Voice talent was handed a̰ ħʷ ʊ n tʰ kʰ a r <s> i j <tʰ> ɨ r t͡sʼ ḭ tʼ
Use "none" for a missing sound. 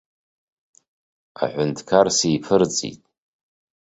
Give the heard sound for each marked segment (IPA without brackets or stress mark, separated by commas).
s, pʰ